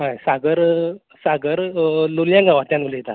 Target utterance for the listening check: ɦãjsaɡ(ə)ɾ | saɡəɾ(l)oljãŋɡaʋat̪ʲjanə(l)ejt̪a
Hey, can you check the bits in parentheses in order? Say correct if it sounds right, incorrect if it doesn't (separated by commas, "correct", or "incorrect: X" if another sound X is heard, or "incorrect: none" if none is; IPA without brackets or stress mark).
correct, correct, correct